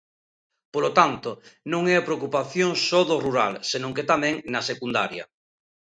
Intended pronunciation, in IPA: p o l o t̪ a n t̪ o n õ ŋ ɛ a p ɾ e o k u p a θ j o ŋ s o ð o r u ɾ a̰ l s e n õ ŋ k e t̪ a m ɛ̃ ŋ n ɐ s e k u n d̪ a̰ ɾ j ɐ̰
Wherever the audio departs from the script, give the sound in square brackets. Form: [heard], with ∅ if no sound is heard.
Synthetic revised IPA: p o l o t̪ a n t̪ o n õ ŋ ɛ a p ɾ e o k u p a θ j o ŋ s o ð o r u ɾ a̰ l s e n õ ŋ k e t̪ a m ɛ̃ ŋ n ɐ s e k u n d̪ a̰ ɾ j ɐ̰